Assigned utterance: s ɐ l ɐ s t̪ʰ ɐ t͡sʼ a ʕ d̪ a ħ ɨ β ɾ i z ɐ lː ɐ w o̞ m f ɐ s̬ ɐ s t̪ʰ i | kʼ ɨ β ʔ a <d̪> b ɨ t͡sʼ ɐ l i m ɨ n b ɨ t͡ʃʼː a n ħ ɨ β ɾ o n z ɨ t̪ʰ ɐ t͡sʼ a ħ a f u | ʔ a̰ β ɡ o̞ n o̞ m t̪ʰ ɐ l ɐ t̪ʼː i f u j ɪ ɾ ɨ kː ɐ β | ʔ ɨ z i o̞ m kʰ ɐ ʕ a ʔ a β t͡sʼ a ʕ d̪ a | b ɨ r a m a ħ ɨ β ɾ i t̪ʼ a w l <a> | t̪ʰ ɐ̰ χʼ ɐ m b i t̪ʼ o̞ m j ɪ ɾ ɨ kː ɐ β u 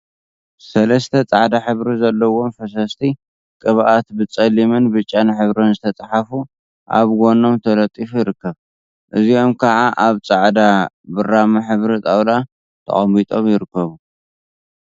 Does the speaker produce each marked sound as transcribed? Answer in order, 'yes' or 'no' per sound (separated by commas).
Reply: no, yes